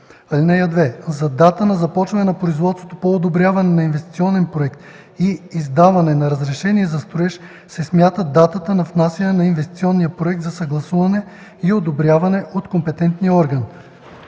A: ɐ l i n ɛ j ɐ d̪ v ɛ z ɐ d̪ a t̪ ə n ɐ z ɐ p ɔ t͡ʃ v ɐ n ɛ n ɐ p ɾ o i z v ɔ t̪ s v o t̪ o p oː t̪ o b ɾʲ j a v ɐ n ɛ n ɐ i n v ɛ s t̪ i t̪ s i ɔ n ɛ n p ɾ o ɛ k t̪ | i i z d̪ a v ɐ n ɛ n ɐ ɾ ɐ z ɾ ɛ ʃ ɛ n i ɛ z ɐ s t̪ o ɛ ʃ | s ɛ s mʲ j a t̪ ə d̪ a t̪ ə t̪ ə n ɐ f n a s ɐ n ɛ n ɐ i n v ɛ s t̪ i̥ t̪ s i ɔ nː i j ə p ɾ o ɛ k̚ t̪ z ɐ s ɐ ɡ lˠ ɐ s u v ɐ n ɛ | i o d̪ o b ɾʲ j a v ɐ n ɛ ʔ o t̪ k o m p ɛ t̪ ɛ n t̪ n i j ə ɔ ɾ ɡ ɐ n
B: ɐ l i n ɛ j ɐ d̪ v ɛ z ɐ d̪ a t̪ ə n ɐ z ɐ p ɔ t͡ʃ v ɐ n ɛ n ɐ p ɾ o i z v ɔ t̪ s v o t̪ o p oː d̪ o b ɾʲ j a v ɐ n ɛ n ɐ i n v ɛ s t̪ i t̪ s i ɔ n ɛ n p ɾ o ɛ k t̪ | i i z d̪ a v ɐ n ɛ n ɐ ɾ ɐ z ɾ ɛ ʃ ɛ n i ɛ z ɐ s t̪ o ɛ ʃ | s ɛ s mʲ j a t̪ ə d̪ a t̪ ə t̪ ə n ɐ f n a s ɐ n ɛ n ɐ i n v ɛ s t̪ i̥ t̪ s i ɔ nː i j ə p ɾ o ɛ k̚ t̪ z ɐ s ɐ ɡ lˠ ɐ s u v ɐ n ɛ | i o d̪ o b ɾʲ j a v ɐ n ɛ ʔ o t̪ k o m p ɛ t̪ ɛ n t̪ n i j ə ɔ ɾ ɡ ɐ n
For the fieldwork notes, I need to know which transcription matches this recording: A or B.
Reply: B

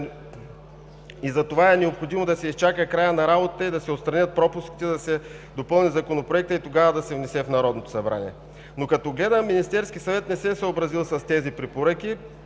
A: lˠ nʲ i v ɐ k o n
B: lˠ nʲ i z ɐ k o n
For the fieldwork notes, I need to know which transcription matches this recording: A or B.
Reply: B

